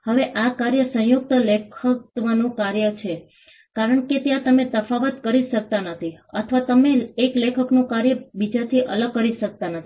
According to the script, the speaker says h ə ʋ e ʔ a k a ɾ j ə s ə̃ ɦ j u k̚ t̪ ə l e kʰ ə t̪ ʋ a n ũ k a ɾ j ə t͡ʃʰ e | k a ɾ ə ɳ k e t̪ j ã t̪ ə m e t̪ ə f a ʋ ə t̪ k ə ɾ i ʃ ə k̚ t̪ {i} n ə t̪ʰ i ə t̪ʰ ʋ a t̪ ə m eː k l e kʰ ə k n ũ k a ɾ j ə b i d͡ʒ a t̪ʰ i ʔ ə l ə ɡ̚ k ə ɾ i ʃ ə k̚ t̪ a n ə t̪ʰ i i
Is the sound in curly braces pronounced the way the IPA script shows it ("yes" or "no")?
no